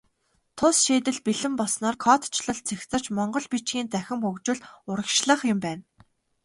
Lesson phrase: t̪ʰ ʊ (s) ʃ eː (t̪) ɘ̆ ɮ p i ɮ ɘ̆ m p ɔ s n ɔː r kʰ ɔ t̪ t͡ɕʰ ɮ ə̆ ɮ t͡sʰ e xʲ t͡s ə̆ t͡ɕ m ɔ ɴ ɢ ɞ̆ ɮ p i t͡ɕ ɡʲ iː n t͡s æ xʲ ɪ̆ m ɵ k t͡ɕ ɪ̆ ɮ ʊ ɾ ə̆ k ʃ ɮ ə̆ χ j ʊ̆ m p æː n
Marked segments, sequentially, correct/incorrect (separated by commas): correct, correct